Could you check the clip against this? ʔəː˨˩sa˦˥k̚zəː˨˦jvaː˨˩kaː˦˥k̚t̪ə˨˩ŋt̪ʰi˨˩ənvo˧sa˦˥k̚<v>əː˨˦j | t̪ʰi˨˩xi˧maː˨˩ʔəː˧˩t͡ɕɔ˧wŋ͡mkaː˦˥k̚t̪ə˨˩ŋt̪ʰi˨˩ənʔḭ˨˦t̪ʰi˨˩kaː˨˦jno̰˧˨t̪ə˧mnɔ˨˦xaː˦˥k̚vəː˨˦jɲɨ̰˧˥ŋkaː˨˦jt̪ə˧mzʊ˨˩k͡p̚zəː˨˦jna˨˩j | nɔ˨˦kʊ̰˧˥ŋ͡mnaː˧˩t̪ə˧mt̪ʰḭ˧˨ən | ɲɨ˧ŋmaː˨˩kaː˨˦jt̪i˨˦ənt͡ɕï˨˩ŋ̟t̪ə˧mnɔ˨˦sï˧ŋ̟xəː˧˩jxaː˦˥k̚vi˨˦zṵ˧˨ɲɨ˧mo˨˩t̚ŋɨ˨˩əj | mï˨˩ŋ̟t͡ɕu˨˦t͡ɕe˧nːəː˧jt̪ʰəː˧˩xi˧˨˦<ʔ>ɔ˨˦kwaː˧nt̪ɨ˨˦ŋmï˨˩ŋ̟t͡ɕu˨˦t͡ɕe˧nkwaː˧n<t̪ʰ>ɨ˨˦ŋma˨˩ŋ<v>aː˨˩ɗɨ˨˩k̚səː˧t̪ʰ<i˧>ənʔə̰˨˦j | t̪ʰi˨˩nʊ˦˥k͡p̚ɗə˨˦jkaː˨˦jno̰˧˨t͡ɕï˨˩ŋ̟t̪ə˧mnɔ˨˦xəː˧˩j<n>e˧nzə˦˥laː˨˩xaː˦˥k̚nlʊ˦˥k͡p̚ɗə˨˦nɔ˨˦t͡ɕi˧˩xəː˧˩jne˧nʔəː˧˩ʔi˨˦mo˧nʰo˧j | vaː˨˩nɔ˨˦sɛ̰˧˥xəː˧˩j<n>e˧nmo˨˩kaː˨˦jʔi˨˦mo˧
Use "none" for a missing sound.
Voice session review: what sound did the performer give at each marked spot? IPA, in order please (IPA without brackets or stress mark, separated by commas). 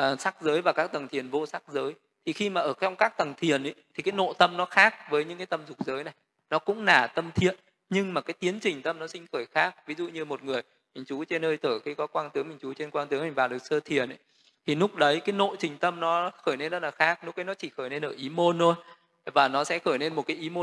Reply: z, k, t̪, v, i˨˩, n, n